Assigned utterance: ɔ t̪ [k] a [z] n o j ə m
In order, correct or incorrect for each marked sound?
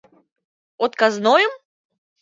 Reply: correct, correct

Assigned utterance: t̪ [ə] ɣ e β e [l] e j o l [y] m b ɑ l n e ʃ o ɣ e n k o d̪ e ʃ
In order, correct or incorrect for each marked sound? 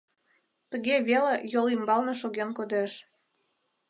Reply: correct, correct, incorrect: i

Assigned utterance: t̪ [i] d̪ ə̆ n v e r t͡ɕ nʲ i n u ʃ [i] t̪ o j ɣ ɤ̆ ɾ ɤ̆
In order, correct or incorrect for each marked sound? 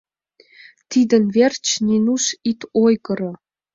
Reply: correct, correct

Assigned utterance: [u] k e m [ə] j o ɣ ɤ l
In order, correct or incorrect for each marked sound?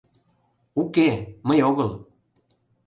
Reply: correct, correct

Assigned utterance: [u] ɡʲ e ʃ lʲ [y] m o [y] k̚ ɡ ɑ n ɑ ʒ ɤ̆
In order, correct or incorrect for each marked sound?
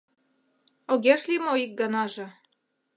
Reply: incorrect: o, incorrect: i, incorrect: i

